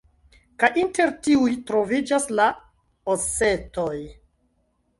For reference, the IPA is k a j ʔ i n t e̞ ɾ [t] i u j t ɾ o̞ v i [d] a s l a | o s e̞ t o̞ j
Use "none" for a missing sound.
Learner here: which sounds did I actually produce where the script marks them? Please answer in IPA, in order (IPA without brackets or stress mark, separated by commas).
t, d͡ʒ